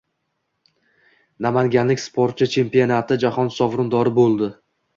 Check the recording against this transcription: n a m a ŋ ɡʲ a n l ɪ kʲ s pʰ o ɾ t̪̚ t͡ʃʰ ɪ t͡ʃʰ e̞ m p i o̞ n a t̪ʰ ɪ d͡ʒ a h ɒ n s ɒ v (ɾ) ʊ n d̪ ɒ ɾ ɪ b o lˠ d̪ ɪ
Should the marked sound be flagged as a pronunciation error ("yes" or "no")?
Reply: no